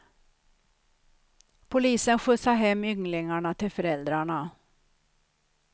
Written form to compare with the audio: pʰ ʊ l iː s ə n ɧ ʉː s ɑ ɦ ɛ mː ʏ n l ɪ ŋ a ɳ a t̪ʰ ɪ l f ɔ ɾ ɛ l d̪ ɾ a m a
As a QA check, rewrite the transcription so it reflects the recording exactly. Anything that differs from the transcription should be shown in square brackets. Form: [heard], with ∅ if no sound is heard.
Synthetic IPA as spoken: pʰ ʊ l iː s ə n ɧ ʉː s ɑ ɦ ɛ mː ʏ [ŋ] l ɪ ŋ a ɳ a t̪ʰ ɪ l f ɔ ɾ ɛ l d̪ ɾ a [ɳ] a